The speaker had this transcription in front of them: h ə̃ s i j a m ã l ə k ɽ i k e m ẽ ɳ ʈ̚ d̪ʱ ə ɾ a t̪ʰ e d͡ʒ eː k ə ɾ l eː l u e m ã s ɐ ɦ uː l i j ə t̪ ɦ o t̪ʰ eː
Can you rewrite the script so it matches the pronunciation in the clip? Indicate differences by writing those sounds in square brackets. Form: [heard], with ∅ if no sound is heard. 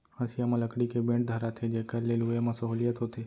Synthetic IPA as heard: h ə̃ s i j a m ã l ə k ɽ i k e [b] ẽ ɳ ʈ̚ d̪ʱ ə ɾ a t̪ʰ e d͡ʒ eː k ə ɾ l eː l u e m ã s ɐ ɦ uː l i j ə t̪ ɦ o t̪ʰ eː